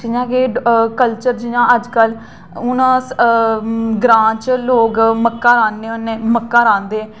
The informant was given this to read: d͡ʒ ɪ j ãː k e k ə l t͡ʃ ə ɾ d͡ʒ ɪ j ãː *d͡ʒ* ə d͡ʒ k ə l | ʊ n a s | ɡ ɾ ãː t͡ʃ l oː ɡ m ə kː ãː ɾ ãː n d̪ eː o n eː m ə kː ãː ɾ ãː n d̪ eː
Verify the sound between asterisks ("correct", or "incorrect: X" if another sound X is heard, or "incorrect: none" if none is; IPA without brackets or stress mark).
incorrect: none